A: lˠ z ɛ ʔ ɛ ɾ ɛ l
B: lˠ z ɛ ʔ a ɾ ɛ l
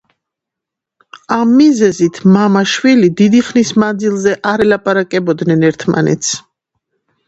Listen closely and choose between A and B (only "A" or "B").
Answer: B